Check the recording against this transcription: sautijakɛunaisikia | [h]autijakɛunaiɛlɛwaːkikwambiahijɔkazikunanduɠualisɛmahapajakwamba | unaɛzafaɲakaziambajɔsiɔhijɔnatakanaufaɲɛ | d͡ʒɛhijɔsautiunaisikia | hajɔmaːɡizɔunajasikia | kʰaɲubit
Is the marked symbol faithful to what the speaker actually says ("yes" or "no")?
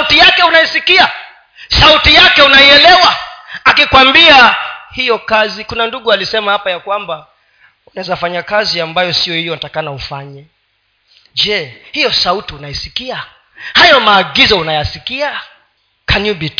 no